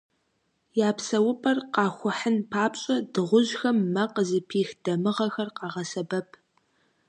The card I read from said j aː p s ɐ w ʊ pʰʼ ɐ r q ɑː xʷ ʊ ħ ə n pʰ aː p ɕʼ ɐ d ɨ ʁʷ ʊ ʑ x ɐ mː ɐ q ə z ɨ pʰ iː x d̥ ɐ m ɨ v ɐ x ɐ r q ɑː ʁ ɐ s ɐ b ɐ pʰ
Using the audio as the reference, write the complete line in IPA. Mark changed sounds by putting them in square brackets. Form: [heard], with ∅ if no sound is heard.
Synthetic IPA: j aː p s ɐ w ʊ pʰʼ ɐ r q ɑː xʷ ʊ ħ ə n pʰ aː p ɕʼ ɐ d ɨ ʁʷ ʊ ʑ x ɐ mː ɐ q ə z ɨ pʰ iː x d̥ ɐ m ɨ [ʁ] ɐ x ɐ r q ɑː ʁ ɐ s ɐ b ɐ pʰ